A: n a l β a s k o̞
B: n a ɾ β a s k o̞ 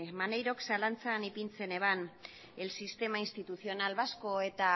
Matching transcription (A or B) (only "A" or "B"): A